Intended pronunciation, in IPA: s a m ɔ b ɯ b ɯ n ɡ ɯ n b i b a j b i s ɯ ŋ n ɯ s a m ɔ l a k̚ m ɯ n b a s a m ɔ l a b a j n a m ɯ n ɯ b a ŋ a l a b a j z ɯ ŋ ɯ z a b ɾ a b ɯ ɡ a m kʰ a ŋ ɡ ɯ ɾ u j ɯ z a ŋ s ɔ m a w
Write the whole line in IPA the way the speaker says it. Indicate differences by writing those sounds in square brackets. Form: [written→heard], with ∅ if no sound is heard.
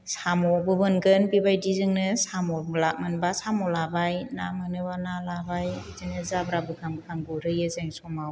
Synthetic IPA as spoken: s a m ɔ b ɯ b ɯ n ɡ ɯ n b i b a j [b→d] i [s→z] ɯ ŋ n ɯ s a m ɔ l a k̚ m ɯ n b a s a m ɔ l a b a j n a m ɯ n ɯ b a [ŋ→n] a l a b a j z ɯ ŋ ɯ z a b ɾ a b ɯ ɡ a m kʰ a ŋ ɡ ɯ ɾ [u→ɯ] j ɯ z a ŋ s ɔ m a w